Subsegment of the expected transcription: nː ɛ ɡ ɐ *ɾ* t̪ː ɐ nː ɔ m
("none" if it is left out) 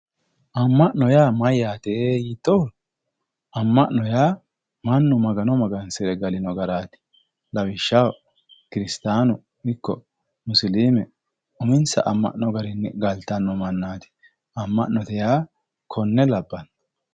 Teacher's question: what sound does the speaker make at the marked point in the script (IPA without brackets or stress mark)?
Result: l